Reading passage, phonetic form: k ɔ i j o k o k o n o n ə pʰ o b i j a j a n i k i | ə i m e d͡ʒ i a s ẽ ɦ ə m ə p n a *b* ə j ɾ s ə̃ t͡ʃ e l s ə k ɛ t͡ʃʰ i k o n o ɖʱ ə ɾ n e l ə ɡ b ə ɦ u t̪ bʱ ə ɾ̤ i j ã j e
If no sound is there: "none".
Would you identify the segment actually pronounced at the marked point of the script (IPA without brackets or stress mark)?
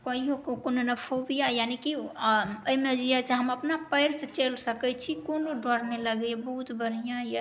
p